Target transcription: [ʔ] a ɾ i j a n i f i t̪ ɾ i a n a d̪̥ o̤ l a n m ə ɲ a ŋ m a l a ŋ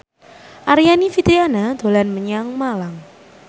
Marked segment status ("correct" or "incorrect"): correct